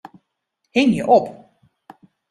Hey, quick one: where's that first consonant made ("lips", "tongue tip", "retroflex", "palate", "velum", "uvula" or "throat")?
throat